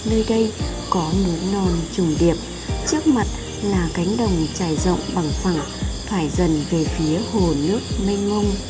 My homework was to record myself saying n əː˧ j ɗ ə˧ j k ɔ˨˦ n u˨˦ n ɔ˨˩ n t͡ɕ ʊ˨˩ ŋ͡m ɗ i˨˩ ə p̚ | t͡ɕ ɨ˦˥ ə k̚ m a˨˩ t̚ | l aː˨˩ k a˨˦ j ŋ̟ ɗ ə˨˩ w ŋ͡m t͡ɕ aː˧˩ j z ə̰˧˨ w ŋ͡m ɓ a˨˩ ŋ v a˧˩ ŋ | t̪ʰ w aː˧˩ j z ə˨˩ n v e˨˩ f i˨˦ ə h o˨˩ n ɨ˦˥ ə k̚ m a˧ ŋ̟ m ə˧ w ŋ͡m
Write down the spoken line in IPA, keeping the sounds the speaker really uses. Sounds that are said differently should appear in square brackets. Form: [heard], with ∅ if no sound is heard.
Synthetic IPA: n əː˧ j ɗ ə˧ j k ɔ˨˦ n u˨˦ n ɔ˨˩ n t͡ɕ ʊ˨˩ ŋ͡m ɗ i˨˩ ə p̚ | t͡ɕ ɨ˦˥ ə k̚ m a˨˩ t̚ | l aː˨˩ k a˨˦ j ŋ̟ ɗ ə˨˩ w ŋ͡m t͡ɕ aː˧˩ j z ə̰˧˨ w ŋ͡m ɓ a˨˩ ŋ [f] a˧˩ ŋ | t̪ʰ w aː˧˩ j z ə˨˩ n v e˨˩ f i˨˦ ə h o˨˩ n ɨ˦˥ ə k̚ m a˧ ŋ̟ m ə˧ w ŋ͡m